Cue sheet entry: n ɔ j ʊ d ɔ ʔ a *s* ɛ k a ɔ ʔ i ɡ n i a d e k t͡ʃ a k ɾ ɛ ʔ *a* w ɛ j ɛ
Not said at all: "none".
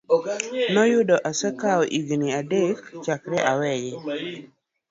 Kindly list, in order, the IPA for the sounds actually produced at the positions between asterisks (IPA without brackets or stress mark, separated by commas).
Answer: s, a